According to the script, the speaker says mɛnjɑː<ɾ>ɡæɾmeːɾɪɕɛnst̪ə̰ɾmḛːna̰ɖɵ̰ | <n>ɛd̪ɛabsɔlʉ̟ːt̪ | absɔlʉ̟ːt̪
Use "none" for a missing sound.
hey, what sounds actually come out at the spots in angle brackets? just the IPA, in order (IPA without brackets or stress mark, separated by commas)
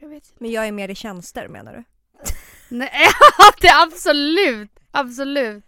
none, n